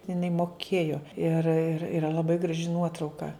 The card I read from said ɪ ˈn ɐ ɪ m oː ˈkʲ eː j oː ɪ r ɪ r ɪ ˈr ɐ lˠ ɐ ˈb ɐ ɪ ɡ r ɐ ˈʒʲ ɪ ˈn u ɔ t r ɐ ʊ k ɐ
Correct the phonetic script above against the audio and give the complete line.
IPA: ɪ ˈn ɐ ɪ m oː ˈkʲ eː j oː ɪ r ɪ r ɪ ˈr ɐ lˠ ɐ ˈb ɐ ɪ ɡ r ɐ ˈʒʲ ɪ ˈn u ɔ t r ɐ ʊ k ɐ

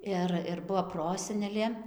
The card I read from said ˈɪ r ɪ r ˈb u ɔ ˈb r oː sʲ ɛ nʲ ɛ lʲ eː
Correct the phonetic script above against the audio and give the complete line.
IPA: ˈɪ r ɪ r ˈb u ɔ ˈp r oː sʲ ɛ nʲ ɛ lʲ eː

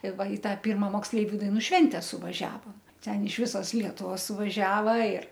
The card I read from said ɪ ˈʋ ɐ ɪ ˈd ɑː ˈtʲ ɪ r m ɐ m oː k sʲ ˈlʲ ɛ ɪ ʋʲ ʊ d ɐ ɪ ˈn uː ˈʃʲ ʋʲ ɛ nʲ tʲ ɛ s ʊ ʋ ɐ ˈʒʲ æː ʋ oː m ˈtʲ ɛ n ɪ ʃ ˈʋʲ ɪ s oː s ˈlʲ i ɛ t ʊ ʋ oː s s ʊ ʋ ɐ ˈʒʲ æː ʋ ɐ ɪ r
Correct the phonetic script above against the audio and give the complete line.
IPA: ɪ ˈʋ ɐ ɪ ˈt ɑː ˈpʲ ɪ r m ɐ m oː k sʲ ˈlʲ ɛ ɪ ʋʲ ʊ d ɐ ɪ ˈn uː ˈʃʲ ʋʲ ɛ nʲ tʲ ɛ s ʊ ʋ ɐ ˈʒʲ æː ʋ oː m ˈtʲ ɛ n ɪ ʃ ˈʋʲ ɪ s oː s ˈlʲ i ɛ t ʊ ʋ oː s s ʊ ʋ ɐ ˈʒʲ æː ʋ ɐ ɪ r

